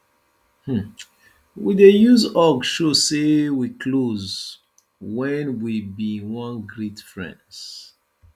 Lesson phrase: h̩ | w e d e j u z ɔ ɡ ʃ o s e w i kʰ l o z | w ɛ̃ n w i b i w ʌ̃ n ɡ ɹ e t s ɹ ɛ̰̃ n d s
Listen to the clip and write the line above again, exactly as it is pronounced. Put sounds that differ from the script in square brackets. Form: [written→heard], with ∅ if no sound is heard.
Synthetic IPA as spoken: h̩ | w [e→i] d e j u z ɔ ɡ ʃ o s e w i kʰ l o z | w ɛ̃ n w i b i w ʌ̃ n ɡ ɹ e t [s→f] ɹ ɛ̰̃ n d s